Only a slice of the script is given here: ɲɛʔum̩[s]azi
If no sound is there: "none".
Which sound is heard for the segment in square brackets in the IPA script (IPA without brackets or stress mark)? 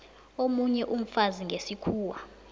f